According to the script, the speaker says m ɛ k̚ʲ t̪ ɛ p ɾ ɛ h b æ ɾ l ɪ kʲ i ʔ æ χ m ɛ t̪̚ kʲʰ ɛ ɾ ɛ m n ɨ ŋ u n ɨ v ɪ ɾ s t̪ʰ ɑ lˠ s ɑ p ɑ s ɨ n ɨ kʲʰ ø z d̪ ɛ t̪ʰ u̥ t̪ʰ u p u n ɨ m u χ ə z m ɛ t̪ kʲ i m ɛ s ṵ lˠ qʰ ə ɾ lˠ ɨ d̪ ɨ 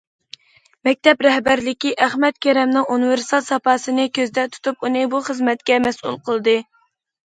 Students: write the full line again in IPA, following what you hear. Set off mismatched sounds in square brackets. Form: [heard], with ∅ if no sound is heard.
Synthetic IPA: m ɛ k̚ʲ t̪ ɛ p ɾ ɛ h b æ ɾ l ɪ kʲ i ʔ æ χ m ɛ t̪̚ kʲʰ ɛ ɾ ɛ m n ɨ ŋ u n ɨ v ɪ ɾ s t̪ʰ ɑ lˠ s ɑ p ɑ s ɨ n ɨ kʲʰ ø z d̪ ɛ t̪ʰ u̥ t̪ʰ u p u n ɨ [b] u χ ə z m ɛ t̪ kʲ [ɛ] m ɛ s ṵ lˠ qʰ ə [∅] lˠ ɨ d̪ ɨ